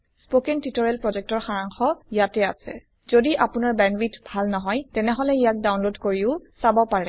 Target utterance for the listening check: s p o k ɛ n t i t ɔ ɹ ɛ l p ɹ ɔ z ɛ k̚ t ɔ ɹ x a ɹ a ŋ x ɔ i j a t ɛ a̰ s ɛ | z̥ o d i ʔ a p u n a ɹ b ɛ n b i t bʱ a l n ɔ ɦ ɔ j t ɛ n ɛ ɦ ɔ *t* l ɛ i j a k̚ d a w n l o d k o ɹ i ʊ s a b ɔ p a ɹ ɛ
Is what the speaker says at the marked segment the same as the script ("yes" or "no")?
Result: no